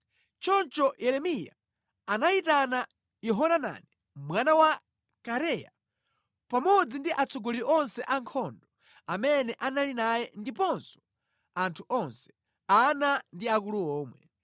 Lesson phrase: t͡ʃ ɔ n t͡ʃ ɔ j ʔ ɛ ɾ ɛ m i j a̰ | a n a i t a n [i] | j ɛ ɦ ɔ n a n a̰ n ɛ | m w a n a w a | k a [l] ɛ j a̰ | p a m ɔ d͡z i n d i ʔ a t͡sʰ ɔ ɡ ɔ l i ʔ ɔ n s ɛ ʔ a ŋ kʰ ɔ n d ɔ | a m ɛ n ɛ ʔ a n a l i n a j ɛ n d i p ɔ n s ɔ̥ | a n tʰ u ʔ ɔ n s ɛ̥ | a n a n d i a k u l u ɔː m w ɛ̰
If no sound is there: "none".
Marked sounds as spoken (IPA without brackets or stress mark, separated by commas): a, ɾ